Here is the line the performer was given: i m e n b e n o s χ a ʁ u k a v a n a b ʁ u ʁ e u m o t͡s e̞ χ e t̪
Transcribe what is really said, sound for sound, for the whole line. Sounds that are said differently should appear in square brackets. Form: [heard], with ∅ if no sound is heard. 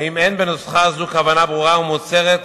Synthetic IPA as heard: i m e n b e n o s χ a [z] u k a v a n a b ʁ u ʁ [a] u m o t͡s e̞ [ʁ] e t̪